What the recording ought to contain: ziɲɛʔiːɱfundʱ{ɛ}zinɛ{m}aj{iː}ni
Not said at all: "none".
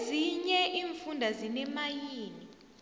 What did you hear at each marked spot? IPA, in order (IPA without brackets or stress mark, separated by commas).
a, m, iː